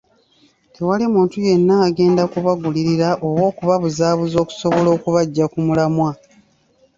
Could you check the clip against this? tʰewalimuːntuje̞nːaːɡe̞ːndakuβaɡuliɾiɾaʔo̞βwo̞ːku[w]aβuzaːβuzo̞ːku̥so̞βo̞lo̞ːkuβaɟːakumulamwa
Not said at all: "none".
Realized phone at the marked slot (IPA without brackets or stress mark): β